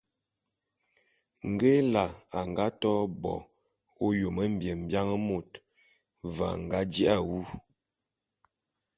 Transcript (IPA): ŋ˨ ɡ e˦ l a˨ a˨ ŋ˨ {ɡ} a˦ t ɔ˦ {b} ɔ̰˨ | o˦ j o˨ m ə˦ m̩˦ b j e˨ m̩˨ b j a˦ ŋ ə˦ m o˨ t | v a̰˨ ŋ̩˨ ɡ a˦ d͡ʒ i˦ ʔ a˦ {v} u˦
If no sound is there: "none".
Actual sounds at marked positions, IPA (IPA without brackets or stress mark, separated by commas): ɡ, b, w